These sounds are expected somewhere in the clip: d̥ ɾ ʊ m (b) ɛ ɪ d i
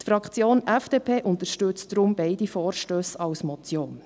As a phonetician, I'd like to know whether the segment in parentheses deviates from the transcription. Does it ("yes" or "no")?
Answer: no